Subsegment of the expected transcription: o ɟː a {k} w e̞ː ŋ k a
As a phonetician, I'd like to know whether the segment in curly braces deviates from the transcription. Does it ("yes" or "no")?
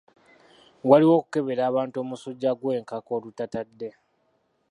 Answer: yes